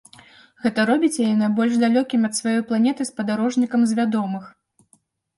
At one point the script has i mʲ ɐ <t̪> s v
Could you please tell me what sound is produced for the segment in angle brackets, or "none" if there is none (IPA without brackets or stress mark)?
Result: t̪